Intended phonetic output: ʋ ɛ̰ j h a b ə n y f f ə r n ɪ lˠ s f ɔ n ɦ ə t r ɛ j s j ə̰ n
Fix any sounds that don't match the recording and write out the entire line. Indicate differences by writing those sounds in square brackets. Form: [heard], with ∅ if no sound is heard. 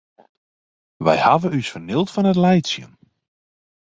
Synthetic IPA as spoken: ʋ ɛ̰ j h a [v] ə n y [s] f ə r n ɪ lˠ [t] f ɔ n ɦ ə t [l] ɛ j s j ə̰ n